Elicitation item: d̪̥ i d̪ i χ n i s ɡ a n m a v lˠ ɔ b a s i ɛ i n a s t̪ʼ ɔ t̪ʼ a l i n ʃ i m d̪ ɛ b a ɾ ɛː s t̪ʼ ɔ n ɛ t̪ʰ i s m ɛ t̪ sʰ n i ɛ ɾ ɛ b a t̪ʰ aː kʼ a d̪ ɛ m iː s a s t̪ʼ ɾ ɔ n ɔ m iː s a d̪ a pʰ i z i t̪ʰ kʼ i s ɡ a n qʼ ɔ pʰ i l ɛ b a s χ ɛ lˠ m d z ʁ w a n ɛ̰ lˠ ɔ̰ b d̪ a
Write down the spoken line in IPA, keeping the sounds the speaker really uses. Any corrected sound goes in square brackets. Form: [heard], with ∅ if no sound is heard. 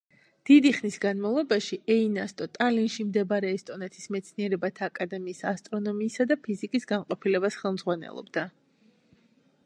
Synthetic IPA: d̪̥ i d̪ i χ n i s ɡ a n m a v lˠ ɔ b a [ʃ] i ɛ i n a s t̪ʼ ɔ t̪ʼ a l i n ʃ i m d̪ ɛ b a ɾ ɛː s t̪ʼ ɔ n ɛ t̪ʰ i s m ɛ t̪ sʰ n i ɛ ɾ ɛ b a t̪ʰ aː kʼ a d̪ ɛ m iː s a s t̪ʼ ɾ ɔ n ɔ m iː s a d̪ a pʰ i z i [∅] kʼ i s ɡ a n qʼ ɔ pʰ i l ɛ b a s χ ɛ lˠ m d z ʁ w a n ɛ̰ lˠ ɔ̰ b d̪ a